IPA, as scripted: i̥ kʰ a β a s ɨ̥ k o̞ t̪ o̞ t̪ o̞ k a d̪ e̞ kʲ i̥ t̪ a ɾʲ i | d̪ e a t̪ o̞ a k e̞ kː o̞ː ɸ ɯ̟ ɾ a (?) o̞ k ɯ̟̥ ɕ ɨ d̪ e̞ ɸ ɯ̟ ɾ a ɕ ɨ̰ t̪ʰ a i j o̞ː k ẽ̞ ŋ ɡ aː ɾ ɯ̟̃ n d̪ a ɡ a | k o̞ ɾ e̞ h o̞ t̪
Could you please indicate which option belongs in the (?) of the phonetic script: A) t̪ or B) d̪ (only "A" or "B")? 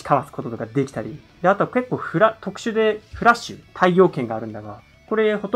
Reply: A